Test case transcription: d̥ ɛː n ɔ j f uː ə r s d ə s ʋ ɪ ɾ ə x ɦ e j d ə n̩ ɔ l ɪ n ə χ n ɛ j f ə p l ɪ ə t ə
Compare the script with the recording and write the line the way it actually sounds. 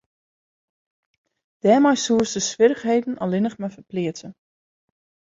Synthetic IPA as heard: d̥ ɛː m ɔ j s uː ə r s d ə s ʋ ɪ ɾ ə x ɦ e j d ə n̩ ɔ l ɪ n ə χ m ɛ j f ə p l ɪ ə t ə